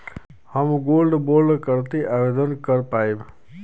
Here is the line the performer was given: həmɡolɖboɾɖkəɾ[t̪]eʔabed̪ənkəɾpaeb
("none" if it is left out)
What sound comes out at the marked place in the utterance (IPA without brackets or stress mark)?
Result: t̪